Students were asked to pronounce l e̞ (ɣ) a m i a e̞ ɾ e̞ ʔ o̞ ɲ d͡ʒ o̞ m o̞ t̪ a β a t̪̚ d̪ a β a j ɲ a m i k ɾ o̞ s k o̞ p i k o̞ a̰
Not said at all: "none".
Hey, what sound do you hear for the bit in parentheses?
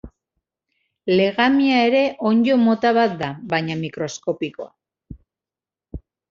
ɣ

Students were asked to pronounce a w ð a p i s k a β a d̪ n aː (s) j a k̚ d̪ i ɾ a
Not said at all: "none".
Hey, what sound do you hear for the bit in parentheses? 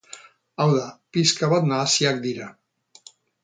s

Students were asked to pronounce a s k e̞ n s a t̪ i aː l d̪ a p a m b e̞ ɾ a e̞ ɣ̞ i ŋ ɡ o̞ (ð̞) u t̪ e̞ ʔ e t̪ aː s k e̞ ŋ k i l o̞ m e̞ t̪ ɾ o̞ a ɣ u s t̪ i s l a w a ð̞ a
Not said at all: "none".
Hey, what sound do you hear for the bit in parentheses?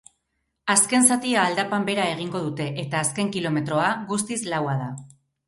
ð̞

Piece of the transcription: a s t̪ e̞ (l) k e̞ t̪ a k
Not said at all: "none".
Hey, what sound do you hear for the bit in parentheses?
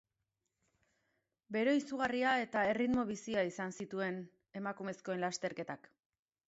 ɾ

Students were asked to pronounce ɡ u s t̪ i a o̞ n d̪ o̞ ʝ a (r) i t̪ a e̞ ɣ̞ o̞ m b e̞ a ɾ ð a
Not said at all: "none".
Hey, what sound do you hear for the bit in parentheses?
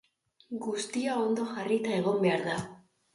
r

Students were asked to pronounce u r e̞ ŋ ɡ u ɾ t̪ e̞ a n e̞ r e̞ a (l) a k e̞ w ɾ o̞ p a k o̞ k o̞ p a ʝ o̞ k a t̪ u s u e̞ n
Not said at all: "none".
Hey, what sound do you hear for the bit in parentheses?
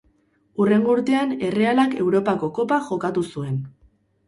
l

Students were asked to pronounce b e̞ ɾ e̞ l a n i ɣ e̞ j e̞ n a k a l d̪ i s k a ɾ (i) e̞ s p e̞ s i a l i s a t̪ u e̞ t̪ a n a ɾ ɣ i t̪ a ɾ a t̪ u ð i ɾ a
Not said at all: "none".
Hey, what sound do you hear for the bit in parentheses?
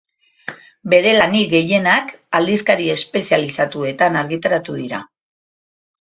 i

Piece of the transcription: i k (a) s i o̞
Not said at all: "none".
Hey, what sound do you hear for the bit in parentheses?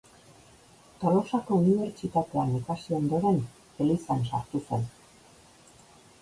a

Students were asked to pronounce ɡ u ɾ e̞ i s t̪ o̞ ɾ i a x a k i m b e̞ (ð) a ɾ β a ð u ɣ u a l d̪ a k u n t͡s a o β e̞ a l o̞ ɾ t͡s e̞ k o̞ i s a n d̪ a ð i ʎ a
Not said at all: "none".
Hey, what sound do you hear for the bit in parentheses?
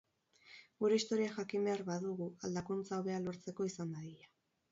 none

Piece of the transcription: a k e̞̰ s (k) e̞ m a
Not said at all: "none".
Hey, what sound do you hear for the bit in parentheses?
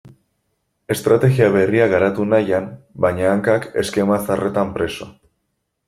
k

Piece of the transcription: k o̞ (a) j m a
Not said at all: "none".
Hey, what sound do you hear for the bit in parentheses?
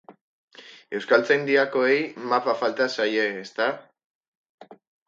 e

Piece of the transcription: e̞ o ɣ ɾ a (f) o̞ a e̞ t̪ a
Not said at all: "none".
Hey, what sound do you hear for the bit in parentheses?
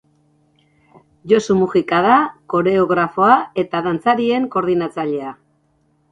f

